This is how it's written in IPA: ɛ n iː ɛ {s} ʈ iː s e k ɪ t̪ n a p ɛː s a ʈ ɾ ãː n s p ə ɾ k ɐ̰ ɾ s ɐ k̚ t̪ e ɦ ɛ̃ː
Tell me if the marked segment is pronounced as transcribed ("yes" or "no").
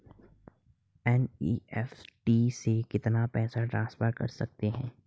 no